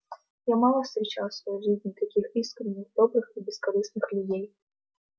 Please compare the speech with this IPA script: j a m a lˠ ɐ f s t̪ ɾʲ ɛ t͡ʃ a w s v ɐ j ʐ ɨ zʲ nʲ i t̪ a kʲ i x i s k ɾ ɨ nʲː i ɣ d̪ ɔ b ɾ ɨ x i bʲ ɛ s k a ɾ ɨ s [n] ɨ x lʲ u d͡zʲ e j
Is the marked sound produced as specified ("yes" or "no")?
yes